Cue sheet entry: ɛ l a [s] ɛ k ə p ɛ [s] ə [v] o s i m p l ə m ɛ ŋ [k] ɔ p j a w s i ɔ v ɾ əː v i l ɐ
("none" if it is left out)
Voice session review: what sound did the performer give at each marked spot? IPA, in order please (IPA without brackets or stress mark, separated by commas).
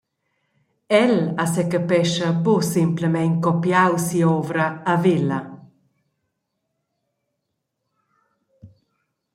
s, ʃ, b, k